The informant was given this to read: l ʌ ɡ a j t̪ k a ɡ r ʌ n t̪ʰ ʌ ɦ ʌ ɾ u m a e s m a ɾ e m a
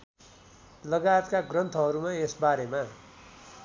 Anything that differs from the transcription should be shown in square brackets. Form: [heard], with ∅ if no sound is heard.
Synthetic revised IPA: l ʌ ɡ a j t̪ k a ɡ r ʌ n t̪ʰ ʌ ɦ ʌ ɾ u m a e s [b] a ɾ e m a